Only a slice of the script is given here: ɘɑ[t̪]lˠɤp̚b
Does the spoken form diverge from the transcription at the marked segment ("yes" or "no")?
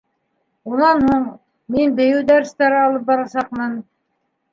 yes